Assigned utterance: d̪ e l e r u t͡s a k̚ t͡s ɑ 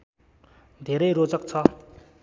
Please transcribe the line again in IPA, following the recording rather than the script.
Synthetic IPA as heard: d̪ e ɾ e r o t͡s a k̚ t͡sʰ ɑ